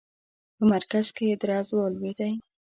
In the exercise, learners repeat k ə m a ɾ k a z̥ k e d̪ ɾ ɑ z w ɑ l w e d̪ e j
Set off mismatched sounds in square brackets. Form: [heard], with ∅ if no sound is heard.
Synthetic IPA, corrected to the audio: [p] ə m a ɾ k a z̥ k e d̪ ɾ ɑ z w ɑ l w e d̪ [a] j